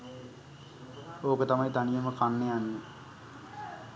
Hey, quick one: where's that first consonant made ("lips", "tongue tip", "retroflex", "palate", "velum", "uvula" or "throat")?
velum